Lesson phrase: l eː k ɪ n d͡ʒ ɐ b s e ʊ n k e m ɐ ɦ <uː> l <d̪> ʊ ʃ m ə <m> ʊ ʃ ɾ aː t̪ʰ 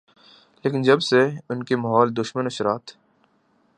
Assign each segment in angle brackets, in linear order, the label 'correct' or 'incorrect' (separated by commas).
incorrect, correct, incorrect